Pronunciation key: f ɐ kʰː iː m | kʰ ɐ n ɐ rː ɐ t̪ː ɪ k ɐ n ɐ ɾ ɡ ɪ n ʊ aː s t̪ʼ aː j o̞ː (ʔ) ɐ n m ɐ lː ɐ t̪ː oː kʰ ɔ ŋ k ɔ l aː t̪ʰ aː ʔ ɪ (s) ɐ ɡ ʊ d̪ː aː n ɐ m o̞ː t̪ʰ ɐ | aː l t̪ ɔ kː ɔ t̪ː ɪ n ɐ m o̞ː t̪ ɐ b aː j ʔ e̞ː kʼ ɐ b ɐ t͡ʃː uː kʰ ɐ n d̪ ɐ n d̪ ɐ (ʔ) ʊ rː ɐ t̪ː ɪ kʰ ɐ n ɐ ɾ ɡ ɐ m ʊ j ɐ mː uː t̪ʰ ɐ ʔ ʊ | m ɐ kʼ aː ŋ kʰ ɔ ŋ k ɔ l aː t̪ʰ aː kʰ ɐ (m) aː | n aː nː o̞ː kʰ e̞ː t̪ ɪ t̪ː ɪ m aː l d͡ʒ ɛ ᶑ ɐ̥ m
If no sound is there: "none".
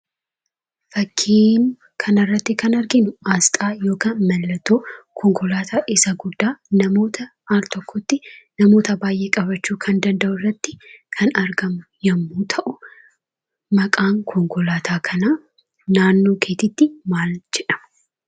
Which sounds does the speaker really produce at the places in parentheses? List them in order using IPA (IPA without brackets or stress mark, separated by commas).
k, s, ʔ, n